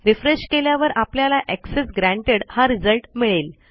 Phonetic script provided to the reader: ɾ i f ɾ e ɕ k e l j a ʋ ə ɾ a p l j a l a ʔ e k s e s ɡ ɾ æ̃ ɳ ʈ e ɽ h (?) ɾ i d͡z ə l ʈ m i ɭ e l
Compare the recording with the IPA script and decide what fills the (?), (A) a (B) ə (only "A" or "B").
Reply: A